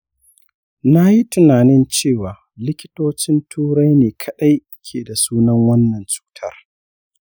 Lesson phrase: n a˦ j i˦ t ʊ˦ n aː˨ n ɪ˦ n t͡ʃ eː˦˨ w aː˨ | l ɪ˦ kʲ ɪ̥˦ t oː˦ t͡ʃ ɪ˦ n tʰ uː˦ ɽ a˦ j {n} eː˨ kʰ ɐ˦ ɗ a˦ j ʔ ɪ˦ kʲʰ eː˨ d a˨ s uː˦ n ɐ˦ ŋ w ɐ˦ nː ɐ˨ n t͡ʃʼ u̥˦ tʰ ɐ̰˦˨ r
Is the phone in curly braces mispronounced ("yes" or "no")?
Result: no